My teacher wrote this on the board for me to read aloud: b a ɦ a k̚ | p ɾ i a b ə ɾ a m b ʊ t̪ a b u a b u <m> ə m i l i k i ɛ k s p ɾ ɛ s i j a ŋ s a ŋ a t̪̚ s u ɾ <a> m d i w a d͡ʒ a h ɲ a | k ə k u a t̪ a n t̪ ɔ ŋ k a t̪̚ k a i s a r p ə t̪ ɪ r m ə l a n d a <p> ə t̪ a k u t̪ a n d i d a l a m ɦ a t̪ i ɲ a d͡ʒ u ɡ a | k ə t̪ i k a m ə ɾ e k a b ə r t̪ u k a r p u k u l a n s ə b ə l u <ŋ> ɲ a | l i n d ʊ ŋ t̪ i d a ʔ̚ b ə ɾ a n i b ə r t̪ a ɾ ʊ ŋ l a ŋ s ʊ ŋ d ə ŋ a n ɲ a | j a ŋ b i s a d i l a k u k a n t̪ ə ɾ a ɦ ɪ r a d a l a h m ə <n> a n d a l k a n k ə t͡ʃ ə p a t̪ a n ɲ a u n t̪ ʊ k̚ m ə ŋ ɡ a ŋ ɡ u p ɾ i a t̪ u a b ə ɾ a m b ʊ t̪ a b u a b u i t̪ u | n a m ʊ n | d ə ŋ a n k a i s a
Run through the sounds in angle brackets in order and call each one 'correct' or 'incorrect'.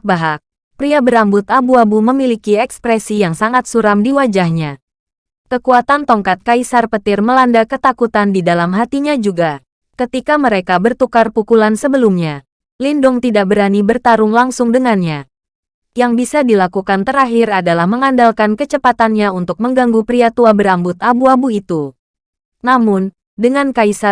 correct, correct, incorrect: k, incorrect: m, incorrect: ŋ

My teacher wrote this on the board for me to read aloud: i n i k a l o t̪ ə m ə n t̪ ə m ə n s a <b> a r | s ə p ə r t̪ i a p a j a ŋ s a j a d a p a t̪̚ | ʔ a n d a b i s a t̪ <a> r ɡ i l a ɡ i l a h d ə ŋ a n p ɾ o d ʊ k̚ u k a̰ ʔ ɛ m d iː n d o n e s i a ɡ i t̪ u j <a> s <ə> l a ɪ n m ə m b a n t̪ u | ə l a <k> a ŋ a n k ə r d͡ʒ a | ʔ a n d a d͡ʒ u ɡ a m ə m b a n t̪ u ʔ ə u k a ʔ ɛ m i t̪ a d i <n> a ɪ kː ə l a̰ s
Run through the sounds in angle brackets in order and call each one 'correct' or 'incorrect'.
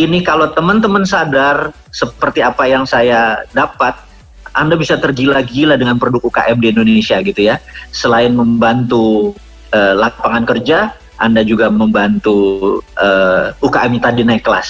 incorrect: d, incorrect: ə, correct, correct, incorrect: p, correct

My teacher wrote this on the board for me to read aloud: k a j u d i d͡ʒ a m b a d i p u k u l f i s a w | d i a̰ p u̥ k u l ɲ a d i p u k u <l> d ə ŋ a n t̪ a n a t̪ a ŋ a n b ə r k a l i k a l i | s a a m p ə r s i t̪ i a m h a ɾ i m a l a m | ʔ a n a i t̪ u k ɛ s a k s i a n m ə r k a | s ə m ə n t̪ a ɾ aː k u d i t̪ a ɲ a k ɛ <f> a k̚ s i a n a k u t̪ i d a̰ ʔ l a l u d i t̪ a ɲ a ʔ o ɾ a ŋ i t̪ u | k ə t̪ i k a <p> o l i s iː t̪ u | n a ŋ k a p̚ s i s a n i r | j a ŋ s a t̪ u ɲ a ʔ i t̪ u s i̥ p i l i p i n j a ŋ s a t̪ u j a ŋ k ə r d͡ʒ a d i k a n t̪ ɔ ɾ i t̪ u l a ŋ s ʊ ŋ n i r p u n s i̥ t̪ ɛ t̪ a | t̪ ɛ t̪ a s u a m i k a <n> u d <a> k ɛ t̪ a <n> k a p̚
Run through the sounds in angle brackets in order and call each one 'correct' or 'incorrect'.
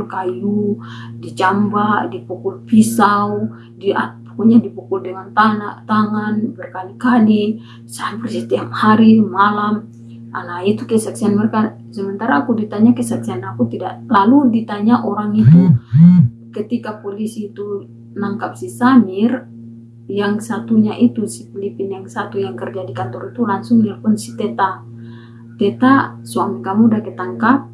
correct, incorrect: s, correct, incorrect: m, correct, incorrect: ŋ

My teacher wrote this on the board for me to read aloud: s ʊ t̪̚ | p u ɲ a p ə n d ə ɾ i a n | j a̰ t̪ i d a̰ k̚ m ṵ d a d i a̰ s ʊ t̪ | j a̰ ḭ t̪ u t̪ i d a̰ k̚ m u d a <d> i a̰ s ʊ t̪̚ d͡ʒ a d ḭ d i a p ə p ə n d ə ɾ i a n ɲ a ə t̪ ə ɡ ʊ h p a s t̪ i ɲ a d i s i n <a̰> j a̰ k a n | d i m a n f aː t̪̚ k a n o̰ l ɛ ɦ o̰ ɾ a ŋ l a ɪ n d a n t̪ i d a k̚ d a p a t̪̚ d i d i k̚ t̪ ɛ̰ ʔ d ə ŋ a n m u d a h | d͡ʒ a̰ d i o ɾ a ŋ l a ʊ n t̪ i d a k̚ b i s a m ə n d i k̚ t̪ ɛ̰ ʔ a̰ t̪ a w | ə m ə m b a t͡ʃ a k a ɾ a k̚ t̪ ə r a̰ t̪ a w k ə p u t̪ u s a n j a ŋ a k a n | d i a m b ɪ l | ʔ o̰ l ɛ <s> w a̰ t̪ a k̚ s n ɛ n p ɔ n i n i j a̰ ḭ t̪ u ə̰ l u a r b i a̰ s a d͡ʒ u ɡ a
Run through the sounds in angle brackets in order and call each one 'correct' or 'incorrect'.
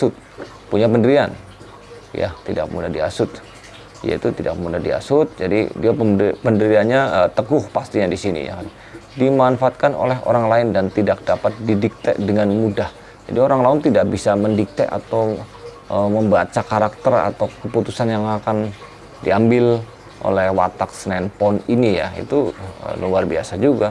correct, incorrect: ḭ, incorrect: h

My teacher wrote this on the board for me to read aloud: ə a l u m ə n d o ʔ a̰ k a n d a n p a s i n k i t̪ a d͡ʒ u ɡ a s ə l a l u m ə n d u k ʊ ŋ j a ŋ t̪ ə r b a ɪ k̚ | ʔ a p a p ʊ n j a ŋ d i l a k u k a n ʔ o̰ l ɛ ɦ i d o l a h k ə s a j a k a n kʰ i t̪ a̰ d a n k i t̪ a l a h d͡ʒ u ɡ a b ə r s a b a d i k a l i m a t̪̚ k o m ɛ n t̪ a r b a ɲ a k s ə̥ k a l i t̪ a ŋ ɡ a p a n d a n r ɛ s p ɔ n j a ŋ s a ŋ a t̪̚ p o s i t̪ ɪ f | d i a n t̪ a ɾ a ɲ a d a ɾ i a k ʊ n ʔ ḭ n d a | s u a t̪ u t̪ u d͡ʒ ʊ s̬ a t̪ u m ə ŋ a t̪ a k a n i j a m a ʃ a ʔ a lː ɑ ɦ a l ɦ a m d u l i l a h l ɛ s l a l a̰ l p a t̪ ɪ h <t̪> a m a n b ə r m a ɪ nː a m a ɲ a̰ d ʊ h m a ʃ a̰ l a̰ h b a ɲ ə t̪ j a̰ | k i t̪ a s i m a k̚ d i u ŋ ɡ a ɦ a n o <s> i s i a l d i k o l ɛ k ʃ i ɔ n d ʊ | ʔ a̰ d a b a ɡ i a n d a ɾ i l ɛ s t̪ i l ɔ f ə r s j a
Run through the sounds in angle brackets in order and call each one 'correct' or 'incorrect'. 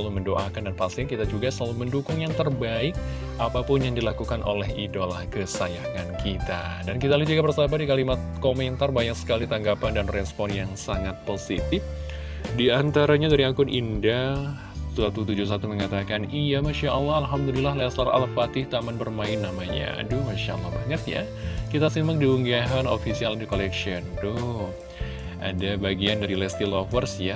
correct, incorrect: f

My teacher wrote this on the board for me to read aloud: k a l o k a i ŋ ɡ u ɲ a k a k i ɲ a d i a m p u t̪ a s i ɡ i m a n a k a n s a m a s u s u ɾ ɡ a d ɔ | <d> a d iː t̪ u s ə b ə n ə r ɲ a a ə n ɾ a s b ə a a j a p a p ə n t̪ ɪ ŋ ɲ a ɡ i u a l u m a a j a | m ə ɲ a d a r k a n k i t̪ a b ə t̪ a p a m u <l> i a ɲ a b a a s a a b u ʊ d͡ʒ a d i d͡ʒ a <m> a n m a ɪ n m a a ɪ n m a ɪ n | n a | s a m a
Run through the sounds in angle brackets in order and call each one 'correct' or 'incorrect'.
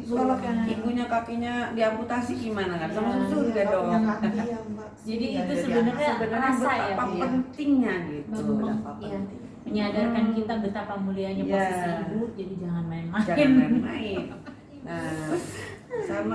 incorrect: d͡ʒ, correct, incorrect: ŋ

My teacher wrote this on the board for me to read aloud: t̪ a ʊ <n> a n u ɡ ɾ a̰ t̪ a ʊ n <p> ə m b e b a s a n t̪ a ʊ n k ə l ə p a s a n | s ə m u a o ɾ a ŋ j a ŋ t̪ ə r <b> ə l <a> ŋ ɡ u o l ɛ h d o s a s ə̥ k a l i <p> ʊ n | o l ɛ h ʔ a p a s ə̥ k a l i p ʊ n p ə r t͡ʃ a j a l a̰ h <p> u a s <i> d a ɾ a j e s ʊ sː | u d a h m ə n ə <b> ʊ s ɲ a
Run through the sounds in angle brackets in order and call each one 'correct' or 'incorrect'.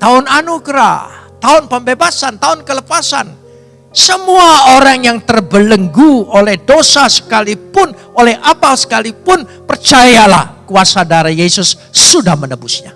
correct, correct, correct, incorrect: ə, correct, incorrect: k, incorrect: a, correct

